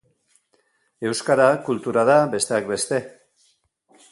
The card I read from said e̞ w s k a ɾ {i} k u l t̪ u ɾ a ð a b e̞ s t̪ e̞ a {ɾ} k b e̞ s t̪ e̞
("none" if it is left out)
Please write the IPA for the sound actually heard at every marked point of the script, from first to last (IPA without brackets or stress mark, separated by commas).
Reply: a, none